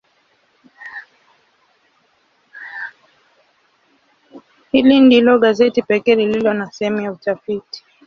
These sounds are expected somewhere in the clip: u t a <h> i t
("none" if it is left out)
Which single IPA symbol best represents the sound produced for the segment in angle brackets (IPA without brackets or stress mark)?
f